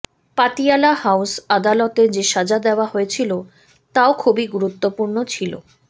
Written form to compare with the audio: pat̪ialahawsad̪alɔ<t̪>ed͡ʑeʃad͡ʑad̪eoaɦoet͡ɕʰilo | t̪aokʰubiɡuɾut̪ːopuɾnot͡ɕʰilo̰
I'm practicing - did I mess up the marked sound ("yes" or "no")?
no